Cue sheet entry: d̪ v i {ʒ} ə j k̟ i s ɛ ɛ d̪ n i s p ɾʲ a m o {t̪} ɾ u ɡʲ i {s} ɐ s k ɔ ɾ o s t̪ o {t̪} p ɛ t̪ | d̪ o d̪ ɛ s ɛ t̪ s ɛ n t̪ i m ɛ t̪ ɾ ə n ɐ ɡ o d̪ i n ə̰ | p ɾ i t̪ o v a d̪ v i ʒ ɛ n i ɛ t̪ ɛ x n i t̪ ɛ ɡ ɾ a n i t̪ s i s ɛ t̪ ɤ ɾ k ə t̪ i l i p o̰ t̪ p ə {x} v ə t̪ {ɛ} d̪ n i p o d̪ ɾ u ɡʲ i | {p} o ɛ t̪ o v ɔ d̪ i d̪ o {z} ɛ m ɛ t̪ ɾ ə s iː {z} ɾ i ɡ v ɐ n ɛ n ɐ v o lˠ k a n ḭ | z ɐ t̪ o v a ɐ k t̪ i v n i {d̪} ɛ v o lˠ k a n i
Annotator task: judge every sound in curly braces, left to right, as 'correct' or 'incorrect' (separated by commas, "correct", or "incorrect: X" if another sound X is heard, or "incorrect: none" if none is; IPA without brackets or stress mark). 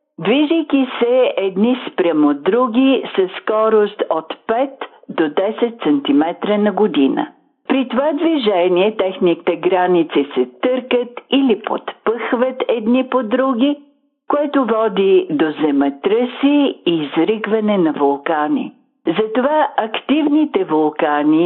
correct, incorrect: d̪, correct, correct, correct, correct, incorrect: k, correct, correct, incorrect: t̪